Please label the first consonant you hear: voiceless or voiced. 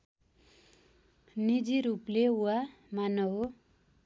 voiced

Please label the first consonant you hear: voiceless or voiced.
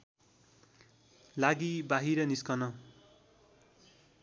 voiced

